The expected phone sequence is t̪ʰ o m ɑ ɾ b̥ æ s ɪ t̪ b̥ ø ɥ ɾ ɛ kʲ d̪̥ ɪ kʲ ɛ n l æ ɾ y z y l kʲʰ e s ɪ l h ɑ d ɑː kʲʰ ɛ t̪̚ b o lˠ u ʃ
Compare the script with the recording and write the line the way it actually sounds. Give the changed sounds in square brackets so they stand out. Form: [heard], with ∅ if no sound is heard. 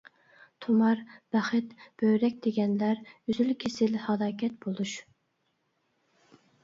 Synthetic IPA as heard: t̪ʰ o m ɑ ɾ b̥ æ [χ] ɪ t̪ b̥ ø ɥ ɾ ɛ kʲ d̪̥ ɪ [ɡʲ] ɛ n l æ ɾ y z y l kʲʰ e s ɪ l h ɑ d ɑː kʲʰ ɛ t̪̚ b o lˠ u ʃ